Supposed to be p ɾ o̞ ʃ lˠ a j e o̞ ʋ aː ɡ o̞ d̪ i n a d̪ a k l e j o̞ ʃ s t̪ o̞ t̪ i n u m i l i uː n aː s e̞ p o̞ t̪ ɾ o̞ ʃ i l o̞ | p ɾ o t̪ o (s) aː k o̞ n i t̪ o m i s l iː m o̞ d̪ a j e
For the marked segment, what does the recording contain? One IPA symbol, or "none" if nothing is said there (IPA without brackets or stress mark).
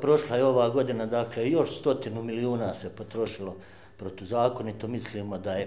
z